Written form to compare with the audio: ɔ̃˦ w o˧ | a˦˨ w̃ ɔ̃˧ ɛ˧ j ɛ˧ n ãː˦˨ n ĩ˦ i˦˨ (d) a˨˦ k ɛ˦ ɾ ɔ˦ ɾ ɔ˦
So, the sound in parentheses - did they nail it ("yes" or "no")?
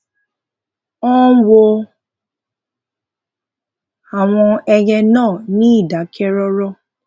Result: yes